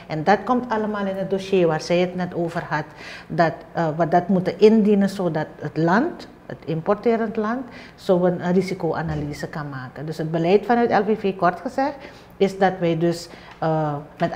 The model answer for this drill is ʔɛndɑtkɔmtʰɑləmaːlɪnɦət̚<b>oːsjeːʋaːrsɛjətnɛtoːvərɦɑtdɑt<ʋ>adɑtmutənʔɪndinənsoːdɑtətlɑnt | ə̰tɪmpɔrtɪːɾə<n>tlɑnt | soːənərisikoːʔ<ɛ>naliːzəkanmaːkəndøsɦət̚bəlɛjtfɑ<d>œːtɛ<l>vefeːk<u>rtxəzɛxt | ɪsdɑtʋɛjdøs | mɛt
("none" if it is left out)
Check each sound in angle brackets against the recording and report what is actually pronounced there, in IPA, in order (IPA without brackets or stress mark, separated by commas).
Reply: d, ʋ, n, a, n, l, ɔ